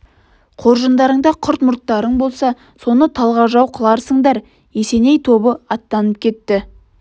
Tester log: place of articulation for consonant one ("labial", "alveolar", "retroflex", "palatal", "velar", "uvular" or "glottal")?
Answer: uvular